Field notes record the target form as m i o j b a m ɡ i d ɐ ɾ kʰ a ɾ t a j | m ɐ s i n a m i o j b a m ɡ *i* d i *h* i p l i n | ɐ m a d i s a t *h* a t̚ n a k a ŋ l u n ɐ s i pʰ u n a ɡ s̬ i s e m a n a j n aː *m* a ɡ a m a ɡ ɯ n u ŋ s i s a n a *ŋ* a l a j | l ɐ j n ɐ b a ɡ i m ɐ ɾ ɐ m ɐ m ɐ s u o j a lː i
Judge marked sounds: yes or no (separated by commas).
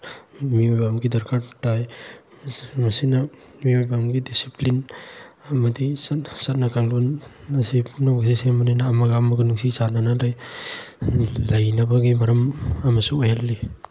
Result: yes, no, no, yes, no